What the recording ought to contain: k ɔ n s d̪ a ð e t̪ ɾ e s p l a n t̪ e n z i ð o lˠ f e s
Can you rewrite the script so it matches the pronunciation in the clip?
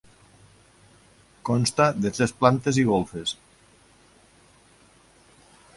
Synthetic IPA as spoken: k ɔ n s t̪ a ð e t̪ ɾ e s p l a n t̪ e z i ɣ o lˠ f e s

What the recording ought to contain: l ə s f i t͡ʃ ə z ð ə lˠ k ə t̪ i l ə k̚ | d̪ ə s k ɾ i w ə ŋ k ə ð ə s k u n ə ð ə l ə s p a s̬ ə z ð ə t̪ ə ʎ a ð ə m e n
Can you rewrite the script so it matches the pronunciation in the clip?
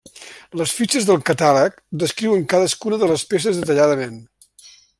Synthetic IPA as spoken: l ə s f i t͡ʃ ə z ð ə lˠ k ə t̪ a l ə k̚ | d̪ ə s k ɾ i w ə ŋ k a ð ə s k u n ə ð ə l ə s p e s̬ ə z ð ə t̪ ə ʎ a ð ə m e n

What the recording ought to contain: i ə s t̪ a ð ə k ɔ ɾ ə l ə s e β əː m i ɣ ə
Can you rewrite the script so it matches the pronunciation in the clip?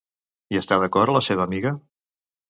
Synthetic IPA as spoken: i ə s t̪ a ð ə k ɔ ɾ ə l ə s e β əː m i ɣ ə

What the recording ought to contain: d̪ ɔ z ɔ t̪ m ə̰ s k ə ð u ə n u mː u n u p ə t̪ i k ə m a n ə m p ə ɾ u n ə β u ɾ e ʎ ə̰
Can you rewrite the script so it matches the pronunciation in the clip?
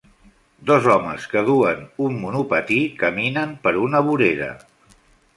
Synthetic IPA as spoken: d̪ ɔ z ɔ m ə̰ s k ə ð u ə n u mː u n u p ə t̪ i k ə m i n ə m p ə ɾ u n ə β u ɾ e ɾ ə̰

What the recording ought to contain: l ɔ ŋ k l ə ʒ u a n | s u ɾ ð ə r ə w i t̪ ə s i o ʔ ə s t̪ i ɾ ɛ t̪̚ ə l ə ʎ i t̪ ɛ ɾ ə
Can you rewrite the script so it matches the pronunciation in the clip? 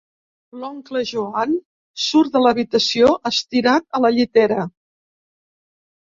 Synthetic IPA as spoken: l ɔ ŋ k l ə ʒ u a n | s u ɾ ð ə l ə β i t̪ ə s i o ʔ ə s t̪ i ɾ a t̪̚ ə l ə ʎ i t̪ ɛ ɾ ə

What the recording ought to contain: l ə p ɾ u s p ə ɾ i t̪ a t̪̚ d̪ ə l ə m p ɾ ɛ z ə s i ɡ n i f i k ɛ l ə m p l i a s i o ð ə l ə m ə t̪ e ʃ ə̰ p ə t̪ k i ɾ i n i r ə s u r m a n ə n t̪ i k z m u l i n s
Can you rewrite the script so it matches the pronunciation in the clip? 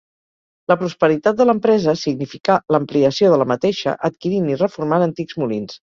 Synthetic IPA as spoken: l ə p ɾ u s p ə ɾ i t̪ a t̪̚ d̪ ə l ə m p ɾ ɛ z ə s i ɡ n i f i k a l ə m p l i ə s i o ð ə l ə m ə t̪ e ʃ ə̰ ʔ ə t̪ k i ɾ i n i r ə f u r m a n ə n t̪ i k z m u l i n s

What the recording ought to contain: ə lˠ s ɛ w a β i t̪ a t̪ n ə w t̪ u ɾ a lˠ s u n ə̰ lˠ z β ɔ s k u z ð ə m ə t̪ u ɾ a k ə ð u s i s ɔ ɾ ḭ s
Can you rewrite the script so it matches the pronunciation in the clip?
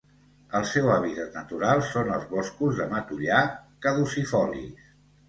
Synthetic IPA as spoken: ə lˠ s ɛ w a β i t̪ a t̪ n ə t̪ u ɾ a lˠ s o n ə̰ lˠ z β ɔ s k u z ð ə m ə t̪ u ʎ a k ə ð u s i f ɔ l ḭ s

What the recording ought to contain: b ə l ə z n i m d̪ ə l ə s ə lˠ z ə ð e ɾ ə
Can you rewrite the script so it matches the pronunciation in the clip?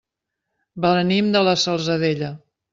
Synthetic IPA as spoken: b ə l ə n i m d̪ ə l ə s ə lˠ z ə ð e ʎ ə

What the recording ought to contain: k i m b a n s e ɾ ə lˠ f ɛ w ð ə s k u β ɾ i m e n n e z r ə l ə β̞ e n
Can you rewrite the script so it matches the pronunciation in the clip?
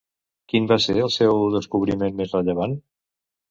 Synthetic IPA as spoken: k i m b a s e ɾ ə lˠ s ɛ w ð ə s k u β ɾ i m e n m e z r ə ʎ ə β̞ a n

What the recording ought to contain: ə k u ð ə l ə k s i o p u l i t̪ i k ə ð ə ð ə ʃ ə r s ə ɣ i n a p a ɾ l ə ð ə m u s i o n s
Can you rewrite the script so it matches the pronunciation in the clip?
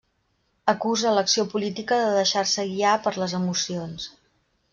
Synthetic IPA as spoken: ə k u z ə l ə k s i o p u l i t̪ i k ə ð ə ð ə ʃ a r s ə ɣ i a p ə ɾ l ə z ə m u s i o n s

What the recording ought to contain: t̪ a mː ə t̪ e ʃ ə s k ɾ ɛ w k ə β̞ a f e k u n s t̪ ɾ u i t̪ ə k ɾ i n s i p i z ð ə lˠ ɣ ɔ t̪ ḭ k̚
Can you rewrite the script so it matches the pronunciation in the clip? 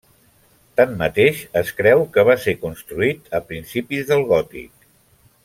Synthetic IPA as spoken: t̪ a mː ə t̪ e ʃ ə s k ɾ ɛ w k ə β̞ a s e k u n s t̪ ɾ u i t̪ ə p ɾ i n s i p i z ð ə lˠ ɣ ɔ t̪ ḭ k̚

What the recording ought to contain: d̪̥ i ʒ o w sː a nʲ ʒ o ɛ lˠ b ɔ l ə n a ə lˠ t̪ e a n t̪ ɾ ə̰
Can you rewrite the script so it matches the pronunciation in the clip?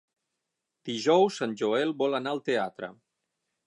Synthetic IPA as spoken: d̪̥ i ʒ ɔ w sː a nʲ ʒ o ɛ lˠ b ɔ l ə n a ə lˠ t̪ e a t̪ ɾ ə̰

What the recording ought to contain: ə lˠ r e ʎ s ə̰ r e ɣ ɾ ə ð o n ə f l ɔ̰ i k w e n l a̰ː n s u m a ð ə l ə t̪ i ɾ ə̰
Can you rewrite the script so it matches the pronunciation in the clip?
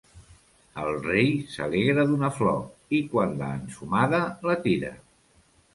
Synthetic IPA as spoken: ə lˠ r e j s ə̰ l e ɣ ɾ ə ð u n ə f l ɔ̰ i k w a n l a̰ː n s u m a ð ə l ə t̪ i ɾ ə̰

